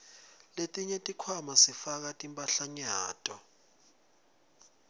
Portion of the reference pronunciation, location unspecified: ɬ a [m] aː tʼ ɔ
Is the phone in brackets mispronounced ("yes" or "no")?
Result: yes